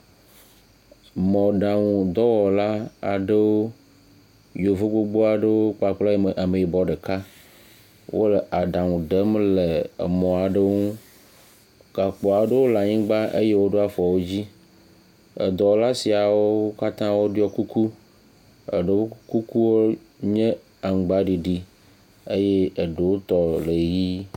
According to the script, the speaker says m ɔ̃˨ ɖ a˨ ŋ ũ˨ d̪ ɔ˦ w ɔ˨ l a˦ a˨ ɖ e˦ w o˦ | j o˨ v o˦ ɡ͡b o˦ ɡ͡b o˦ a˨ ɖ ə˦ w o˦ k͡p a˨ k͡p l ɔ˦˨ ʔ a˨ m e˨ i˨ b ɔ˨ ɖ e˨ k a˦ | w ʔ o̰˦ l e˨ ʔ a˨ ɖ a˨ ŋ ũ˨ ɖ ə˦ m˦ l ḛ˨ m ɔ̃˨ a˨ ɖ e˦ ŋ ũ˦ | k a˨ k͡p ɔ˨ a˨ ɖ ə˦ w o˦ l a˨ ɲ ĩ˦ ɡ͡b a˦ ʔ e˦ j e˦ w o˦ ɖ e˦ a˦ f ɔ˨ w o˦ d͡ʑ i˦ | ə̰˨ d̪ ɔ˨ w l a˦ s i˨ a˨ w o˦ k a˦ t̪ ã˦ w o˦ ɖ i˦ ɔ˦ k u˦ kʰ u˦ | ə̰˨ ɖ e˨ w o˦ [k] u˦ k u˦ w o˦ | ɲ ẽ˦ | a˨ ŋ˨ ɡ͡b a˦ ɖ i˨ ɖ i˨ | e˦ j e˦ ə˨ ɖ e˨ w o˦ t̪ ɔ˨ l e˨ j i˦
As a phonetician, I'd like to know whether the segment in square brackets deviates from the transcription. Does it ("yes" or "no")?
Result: no